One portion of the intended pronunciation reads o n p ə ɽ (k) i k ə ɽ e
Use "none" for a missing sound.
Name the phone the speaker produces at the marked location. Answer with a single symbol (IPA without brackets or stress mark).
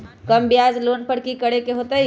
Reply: k